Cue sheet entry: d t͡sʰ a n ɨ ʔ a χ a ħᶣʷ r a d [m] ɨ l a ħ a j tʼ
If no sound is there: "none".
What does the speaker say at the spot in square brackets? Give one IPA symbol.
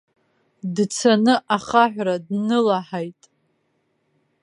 n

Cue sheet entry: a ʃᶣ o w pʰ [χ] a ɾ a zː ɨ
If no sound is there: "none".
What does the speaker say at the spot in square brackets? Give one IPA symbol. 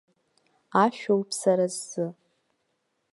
s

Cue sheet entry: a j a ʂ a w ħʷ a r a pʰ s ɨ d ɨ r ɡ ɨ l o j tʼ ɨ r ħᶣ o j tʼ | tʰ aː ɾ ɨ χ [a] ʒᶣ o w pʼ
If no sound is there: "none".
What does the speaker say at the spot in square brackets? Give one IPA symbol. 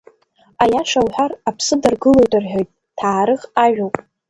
a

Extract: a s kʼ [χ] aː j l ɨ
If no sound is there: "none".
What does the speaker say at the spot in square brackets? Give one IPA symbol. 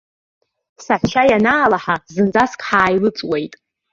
ħ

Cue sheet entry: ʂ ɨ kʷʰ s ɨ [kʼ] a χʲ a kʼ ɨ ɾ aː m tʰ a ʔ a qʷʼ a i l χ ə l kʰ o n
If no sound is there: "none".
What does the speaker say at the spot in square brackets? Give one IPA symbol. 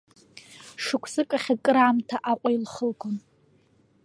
kʼ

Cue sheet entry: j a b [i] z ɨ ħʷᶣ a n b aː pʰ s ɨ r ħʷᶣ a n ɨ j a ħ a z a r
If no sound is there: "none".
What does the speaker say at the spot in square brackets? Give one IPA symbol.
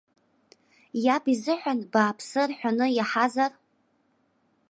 i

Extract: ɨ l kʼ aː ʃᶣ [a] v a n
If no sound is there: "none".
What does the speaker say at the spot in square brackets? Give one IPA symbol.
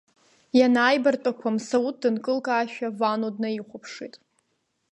a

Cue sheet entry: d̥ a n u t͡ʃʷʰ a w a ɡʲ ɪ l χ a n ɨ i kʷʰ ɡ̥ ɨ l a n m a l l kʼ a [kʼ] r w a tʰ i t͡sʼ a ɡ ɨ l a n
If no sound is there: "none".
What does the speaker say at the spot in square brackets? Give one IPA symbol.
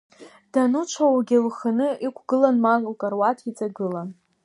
none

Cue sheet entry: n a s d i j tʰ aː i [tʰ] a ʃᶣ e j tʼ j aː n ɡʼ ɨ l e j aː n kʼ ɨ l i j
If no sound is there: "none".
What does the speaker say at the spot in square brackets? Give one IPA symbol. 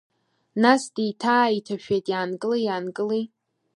tʰ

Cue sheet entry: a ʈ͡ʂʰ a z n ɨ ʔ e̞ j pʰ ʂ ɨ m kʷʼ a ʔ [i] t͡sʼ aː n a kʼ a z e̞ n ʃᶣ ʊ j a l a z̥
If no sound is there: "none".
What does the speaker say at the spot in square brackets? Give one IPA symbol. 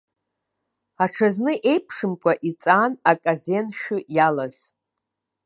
i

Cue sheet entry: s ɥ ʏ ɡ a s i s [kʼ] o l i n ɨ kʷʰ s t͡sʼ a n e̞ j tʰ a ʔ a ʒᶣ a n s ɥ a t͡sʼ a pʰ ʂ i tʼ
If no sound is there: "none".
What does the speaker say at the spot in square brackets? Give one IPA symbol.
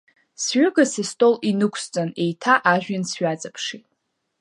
tʼ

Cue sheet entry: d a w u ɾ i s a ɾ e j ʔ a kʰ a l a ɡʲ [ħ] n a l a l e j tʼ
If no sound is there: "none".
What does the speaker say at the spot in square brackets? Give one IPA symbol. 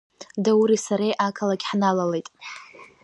ħ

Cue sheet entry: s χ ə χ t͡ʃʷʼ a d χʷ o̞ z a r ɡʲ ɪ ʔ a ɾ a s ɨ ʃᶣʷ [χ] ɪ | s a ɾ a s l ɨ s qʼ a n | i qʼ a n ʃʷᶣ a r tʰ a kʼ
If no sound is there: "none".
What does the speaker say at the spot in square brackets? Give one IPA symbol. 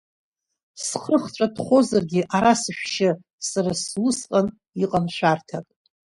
ʃ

